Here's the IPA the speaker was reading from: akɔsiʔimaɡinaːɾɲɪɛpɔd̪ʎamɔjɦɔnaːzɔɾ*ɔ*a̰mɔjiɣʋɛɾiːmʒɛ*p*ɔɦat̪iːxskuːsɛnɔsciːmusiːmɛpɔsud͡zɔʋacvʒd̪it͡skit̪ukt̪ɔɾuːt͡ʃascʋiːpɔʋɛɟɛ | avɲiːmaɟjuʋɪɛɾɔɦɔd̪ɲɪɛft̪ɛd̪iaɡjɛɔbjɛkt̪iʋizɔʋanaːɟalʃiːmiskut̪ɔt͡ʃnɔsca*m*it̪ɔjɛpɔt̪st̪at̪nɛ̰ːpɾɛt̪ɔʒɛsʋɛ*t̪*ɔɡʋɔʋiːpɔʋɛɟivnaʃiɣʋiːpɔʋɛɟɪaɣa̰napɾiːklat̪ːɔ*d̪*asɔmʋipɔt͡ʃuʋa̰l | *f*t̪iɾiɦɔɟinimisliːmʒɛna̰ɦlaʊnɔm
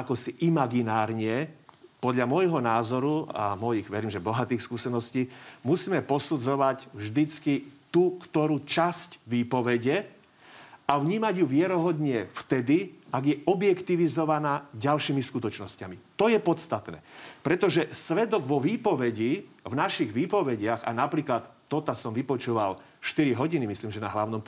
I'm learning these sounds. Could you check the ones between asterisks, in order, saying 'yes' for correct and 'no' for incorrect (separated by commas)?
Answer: no, no, yes, no, no, no